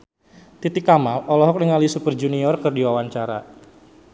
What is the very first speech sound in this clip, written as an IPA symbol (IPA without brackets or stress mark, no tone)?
t̪